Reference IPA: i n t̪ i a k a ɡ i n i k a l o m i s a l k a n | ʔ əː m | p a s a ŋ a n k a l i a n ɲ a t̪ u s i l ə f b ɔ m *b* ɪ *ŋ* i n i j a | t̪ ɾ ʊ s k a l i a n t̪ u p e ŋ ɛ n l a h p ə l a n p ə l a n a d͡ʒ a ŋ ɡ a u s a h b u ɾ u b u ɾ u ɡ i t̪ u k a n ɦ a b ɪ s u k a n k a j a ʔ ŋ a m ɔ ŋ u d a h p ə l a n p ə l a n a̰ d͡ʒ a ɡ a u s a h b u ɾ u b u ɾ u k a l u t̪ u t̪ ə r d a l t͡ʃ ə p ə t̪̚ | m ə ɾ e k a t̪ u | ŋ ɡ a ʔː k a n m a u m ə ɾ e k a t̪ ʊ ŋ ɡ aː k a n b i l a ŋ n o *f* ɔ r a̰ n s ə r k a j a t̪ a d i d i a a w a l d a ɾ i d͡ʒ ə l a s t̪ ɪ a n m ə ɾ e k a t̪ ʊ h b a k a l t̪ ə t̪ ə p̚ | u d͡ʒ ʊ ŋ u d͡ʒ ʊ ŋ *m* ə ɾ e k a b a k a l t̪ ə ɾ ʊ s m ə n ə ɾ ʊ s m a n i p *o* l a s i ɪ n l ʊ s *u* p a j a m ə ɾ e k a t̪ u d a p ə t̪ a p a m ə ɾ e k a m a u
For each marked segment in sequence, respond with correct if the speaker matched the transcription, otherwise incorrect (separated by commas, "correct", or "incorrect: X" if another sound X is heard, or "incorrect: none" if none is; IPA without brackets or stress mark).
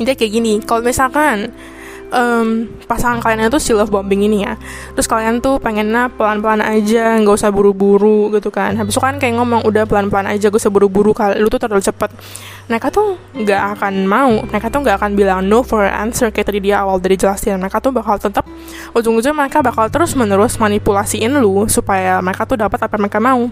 correct, correct, correct, correct, incorrect: u, correct